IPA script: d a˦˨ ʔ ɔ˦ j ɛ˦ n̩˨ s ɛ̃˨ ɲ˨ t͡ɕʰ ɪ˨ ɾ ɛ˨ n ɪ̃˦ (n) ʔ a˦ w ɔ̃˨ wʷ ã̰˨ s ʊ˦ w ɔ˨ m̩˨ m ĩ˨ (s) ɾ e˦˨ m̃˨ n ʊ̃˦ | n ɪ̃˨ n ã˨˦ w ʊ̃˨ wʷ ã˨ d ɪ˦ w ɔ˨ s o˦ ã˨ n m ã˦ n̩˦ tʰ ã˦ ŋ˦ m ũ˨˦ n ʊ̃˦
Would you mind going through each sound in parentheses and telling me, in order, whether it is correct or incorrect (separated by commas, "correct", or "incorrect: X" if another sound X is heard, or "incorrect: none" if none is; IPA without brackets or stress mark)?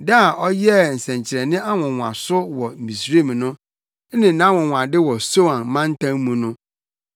incorrect: none, correct